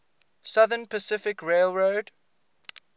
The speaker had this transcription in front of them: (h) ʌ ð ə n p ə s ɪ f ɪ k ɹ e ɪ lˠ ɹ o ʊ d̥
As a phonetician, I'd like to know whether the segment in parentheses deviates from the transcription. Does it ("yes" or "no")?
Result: yes